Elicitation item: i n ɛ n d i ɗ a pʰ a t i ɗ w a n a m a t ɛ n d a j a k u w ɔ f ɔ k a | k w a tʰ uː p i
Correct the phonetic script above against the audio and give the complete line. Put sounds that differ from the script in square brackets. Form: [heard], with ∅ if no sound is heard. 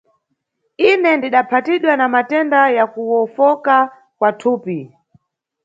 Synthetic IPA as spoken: i n ɛ n d i ɗ a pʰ a t i ɗ w a n a m a t ɛ n d a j a k u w ɔ f ɔ k a | k w a tʰ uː p i